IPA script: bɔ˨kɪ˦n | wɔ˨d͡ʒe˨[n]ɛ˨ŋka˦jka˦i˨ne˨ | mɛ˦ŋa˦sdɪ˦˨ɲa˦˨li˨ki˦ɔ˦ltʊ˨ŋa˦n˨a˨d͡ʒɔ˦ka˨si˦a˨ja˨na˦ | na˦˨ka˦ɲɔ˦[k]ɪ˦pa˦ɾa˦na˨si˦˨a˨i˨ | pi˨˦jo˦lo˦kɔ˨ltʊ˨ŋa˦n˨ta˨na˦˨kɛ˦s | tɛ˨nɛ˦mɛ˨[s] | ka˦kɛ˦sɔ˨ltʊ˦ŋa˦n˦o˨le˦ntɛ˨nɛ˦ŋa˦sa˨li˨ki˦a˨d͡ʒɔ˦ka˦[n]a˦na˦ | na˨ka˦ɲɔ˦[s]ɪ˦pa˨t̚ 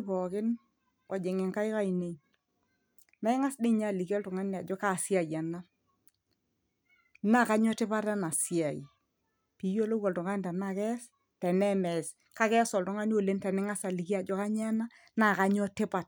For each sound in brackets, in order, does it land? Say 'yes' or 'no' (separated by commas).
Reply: no, no, yes, no, no